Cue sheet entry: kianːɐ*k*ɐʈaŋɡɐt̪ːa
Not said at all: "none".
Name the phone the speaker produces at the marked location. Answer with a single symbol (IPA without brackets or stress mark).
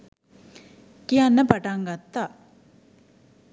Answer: p